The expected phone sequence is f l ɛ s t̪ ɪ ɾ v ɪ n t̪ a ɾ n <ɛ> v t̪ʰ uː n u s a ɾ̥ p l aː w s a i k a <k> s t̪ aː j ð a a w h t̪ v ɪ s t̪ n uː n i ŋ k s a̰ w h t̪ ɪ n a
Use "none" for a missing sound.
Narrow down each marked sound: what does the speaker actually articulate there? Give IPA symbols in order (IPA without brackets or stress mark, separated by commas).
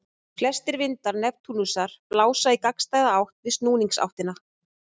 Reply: ɛ, k